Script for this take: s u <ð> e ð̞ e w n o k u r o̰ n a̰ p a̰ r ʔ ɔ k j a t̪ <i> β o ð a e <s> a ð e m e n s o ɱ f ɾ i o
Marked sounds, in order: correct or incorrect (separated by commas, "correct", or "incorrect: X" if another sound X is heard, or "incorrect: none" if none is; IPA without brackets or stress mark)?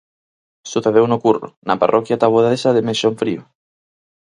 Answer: incorrect: θ, incorrect: a, correct